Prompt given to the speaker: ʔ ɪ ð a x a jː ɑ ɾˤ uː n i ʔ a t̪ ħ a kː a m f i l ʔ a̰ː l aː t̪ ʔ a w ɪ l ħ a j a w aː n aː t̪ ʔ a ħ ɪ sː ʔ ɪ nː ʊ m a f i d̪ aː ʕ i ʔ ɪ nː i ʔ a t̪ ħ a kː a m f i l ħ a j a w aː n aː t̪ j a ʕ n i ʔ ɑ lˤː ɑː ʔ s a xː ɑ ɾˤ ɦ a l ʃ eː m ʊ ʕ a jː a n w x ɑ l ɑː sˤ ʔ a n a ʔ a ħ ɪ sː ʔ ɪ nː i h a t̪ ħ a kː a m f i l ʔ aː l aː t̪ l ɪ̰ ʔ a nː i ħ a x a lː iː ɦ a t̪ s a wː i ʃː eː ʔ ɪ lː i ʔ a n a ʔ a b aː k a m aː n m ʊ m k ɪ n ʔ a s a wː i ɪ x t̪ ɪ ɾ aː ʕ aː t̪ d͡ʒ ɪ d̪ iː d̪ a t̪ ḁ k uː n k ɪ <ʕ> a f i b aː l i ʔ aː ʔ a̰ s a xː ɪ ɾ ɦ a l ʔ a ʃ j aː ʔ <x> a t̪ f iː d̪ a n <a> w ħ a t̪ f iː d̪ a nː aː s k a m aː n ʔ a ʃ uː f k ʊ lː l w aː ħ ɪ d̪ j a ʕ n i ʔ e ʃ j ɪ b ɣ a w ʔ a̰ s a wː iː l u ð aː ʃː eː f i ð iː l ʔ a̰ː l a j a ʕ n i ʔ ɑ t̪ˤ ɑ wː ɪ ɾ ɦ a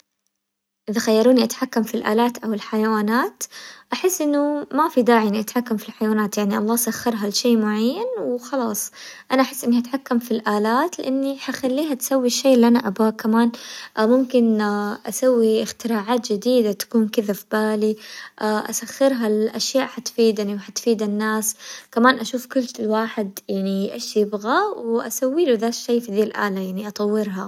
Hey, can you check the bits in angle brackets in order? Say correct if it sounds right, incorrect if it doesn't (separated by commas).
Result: incorrect, incorrect, incorrect